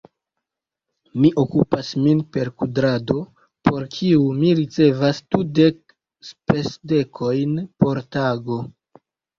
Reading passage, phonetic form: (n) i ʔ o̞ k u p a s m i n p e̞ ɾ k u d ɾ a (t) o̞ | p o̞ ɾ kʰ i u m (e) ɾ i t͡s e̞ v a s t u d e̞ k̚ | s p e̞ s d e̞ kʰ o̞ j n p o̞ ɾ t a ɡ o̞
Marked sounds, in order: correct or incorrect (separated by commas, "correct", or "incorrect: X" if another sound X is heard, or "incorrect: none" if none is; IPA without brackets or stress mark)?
incorrect: m, incorrect: d, incorrect: i